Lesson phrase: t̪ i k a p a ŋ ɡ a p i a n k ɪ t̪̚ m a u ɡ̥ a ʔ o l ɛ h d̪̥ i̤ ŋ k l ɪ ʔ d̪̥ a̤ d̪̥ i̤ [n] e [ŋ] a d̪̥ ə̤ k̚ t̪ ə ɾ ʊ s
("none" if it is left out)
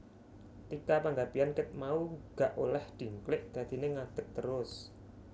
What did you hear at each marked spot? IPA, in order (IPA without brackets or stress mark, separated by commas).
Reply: n, ŋ